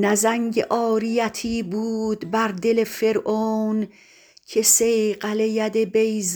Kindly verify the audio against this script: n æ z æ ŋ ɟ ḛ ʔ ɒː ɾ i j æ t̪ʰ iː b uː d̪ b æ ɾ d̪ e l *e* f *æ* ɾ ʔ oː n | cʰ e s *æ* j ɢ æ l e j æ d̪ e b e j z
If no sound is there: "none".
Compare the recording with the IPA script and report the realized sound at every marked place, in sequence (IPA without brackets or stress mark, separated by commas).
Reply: e, e, e